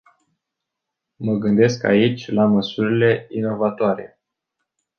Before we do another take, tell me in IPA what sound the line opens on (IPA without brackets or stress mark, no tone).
m